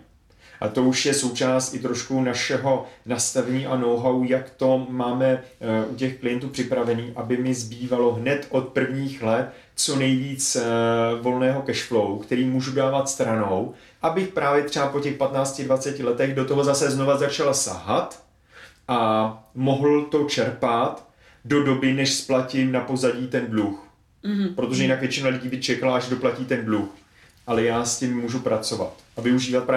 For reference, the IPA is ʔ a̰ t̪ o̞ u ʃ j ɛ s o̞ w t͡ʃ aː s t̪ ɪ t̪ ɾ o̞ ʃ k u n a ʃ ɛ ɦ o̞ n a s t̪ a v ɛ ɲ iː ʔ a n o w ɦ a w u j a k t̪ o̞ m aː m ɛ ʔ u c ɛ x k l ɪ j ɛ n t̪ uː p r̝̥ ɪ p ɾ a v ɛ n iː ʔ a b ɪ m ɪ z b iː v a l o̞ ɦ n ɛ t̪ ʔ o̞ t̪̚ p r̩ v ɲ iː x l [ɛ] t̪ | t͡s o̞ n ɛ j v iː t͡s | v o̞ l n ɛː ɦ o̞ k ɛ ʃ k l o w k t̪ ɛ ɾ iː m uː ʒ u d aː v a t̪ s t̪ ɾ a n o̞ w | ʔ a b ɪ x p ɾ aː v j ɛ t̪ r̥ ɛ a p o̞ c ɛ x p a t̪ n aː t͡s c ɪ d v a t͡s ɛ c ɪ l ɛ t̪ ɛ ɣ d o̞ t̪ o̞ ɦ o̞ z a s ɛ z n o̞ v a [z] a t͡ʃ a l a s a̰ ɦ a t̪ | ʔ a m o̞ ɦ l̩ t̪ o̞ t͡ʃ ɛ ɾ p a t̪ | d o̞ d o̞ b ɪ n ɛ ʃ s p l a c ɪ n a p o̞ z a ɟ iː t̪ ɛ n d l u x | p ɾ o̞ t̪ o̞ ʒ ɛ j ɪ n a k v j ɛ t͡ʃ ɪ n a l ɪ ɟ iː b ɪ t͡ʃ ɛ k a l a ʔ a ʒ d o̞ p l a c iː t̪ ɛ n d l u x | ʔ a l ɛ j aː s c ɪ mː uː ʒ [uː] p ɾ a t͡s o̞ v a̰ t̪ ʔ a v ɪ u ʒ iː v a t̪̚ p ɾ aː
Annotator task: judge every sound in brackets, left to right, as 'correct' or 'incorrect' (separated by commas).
correct, correct, incorrect